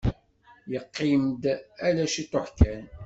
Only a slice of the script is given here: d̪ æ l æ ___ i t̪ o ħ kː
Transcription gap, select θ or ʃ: ʃ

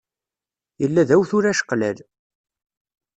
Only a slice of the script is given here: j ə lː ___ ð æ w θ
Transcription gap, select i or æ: æ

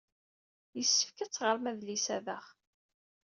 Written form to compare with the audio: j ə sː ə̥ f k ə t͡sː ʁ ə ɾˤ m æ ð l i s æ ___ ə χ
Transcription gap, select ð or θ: ð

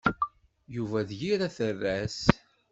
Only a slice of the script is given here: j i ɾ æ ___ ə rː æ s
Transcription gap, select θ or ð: θ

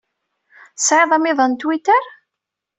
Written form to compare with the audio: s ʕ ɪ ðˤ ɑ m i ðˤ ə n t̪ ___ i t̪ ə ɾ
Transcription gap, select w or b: w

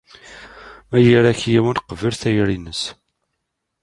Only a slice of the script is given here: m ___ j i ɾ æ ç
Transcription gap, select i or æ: æ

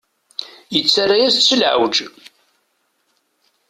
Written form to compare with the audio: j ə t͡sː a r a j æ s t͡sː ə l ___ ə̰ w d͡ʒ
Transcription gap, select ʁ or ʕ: ʕ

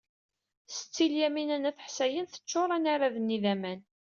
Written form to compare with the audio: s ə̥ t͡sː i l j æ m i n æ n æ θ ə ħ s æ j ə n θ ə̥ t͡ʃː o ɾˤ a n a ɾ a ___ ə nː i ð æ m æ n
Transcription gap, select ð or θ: ð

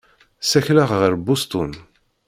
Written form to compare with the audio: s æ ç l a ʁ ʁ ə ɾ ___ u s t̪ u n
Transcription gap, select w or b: b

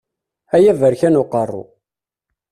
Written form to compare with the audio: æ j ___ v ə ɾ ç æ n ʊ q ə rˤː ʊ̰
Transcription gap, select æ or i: æ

